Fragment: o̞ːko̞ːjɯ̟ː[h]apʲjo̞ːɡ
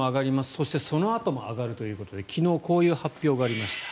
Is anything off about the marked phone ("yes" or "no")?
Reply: no